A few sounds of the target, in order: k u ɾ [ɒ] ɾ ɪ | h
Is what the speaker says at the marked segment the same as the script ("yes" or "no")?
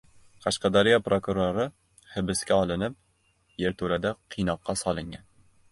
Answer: no